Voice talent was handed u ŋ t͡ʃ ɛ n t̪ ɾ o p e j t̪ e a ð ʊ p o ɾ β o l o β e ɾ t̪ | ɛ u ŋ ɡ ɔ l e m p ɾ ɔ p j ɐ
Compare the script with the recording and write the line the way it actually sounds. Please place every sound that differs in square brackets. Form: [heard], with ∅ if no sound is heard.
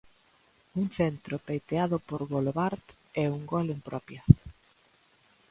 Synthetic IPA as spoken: u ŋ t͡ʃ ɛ n t̪ ɾ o p e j t̪ e a ð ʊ p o ɾ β o l o β [a] ɾ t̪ | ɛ u ŋ ɡ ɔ l e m p ɾ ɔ p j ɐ